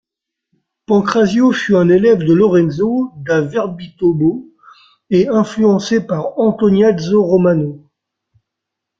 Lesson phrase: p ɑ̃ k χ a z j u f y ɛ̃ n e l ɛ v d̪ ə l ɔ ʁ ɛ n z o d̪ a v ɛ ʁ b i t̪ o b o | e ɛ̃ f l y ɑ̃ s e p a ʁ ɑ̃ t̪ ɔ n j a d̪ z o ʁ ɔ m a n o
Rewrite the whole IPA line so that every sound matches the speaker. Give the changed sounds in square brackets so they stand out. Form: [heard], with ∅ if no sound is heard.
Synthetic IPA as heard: p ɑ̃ k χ a z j [o] f y ɛ̃ n e l ɛ v d̪ ə l ɔ ʁ ɛ n z o d̪ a v ɛ ʁ b i t̪ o b o | e ɛ̃ f l y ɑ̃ s e p a ʁ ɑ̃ t̪ ɔ n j a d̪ z o ʁ ɔ m a n o